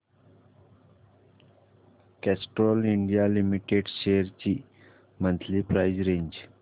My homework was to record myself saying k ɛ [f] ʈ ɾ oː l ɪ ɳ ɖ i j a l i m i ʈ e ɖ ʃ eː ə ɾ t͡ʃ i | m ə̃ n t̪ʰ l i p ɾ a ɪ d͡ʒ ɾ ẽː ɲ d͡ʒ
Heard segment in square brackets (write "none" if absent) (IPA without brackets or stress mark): s